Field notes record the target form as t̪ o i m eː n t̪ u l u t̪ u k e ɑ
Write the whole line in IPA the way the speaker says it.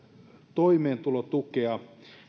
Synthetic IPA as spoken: t̪ o i m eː n t̪ u l o t̪ u k e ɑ